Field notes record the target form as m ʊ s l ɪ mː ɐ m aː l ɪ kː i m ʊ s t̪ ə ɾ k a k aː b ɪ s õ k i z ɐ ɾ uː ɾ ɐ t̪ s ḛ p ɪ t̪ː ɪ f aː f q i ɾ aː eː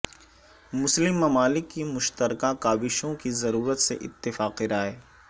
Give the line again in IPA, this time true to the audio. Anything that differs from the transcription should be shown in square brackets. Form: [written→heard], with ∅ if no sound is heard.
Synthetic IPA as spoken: m ʊ s l ɪ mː ɐ m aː l ɪ kː i m ʊ [s→ʃ] t̪ ə ɾ k a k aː b ɪ [s→ʃ] õ k i z ɐ ɾ uː ɾ [ɐ→ə] t̪ s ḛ [p→ʔ] ɪ t̪ː ɪ f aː [f→∅] q i ɾ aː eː